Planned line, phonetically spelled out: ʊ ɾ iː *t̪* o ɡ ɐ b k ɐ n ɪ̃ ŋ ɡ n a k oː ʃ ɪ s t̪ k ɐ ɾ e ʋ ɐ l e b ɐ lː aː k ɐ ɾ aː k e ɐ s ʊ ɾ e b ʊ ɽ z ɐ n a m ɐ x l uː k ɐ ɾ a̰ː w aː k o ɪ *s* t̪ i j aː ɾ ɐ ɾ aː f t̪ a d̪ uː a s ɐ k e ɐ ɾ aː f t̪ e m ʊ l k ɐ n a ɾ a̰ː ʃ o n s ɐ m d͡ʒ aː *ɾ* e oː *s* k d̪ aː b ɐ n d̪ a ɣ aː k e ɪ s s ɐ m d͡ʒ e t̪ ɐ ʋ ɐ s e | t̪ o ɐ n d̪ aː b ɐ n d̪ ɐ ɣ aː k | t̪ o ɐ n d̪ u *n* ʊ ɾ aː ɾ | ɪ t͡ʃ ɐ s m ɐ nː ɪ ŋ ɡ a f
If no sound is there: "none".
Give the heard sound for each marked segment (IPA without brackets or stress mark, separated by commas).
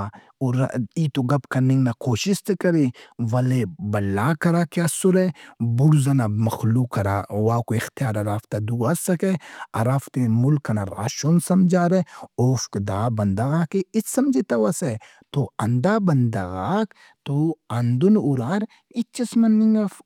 t̪, x, ɾ, f, n